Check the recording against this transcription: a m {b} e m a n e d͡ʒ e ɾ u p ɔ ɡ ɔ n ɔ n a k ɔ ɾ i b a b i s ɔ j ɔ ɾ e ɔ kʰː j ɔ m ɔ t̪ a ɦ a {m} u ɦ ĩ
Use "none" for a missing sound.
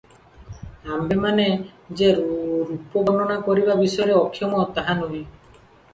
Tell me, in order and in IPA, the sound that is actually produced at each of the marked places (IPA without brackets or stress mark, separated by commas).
b, n